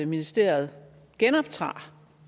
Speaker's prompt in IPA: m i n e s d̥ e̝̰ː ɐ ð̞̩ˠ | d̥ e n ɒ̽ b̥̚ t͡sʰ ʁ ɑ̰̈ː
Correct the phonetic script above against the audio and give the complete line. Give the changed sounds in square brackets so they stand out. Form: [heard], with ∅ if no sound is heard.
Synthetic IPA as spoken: m i n [i] s d̥ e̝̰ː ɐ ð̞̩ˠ | [ɡ̥] e n ɒ̽ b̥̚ t͡sʰ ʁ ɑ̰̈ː